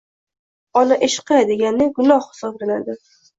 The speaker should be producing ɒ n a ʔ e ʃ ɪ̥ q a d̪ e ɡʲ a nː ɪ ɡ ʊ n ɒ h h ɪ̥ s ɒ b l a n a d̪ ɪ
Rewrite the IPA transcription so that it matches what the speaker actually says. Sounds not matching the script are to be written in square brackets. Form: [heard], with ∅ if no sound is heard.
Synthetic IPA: ɒ n a ʔ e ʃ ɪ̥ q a d̪ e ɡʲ a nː ɪ ɡ ʊ n ɒ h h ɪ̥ s ɒ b l a n a d̪ ɪ